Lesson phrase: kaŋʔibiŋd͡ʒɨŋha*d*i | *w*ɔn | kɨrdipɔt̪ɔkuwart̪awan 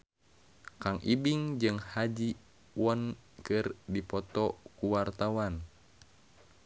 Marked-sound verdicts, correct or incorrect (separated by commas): incorrect, correct